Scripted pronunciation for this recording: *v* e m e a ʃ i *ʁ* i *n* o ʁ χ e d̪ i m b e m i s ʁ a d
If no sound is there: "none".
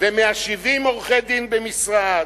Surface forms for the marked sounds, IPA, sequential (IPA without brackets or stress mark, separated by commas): v, v, m